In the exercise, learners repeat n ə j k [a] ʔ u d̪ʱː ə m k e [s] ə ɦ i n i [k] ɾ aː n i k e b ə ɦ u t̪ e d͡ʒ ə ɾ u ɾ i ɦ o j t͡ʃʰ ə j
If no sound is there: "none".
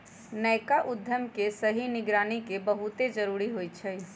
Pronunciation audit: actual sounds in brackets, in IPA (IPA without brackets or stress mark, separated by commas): a, s, ɡ